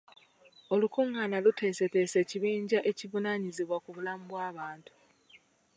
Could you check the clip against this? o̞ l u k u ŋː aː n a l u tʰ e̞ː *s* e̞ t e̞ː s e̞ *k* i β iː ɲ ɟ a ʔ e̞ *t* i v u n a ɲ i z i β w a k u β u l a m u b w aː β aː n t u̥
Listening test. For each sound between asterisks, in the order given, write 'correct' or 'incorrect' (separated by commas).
correct, incorrect, incorrect